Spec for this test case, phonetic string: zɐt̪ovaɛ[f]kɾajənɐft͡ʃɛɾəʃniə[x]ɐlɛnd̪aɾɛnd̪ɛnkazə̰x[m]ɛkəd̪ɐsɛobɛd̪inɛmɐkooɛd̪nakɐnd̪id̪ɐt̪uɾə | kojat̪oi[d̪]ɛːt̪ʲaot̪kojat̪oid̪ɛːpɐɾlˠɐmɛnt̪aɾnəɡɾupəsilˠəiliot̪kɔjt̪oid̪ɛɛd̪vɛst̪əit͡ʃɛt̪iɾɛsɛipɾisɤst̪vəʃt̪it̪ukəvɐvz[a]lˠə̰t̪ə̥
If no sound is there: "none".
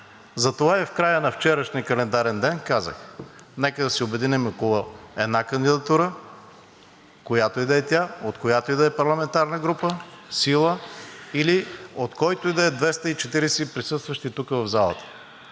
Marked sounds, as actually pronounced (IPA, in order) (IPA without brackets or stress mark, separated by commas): f, k, n, d̪, a